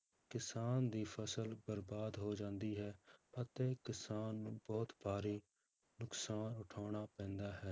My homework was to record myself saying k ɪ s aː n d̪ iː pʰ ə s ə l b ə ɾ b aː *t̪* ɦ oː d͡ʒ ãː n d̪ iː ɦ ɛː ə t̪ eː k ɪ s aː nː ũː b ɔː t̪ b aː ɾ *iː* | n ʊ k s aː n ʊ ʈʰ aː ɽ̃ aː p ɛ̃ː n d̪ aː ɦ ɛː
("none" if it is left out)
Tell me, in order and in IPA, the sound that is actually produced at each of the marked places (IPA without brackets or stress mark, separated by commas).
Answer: d̪, iː